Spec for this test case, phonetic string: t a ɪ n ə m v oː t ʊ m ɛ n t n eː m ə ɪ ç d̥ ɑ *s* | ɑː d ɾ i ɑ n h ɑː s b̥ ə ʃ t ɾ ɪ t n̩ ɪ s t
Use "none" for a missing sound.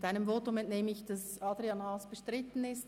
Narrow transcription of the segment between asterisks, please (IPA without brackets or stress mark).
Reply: s